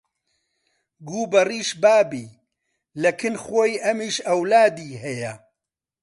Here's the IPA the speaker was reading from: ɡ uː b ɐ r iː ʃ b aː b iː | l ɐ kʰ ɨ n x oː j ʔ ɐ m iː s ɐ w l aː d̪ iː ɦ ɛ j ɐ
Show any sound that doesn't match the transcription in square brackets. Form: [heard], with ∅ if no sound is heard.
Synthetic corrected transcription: ɡ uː b ɐ r iː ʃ b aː b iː | l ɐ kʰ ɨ n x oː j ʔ ɐ m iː [ʃ] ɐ w l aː d̪ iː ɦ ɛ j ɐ